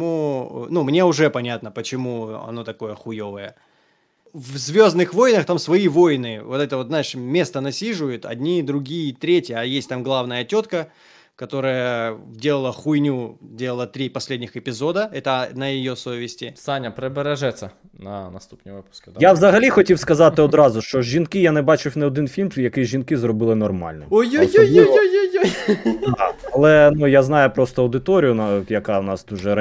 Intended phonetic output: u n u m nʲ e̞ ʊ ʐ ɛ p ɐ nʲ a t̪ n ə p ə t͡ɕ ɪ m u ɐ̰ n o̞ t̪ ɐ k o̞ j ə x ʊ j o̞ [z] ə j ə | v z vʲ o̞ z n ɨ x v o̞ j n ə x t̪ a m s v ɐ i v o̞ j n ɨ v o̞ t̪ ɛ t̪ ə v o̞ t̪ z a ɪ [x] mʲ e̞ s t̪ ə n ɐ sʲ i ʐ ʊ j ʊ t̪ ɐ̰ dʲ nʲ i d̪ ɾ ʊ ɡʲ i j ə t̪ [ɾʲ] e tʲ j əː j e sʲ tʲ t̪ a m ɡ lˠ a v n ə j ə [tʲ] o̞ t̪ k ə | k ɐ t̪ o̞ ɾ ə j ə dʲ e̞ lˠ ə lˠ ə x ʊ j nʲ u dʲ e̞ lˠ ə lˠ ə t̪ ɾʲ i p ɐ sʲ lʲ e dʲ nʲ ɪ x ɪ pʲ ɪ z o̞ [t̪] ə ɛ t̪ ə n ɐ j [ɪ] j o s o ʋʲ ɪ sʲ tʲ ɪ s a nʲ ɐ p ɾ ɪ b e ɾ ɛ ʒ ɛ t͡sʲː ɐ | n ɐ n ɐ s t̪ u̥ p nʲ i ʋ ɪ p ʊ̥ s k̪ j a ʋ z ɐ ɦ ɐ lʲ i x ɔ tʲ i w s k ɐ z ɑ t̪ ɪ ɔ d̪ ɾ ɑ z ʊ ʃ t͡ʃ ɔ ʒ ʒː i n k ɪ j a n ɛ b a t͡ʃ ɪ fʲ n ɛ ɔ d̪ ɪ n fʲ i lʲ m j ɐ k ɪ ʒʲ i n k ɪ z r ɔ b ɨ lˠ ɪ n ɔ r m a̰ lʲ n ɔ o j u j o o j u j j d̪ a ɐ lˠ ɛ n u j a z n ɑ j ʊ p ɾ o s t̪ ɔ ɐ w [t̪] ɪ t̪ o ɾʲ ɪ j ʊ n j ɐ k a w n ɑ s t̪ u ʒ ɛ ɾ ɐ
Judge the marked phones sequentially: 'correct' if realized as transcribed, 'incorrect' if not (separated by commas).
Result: incorrect, incorrect, correct, correct, incorrect, correct, incorrect